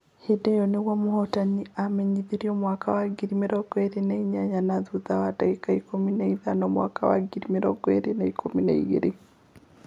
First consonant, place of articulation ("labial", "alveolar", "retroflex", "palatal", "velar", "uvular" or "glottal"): glottal